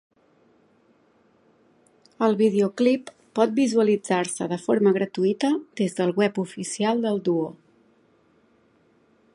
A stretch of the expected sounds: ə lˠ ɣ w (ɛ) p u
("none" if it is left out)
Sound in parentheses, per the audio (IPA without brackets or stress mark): ɛ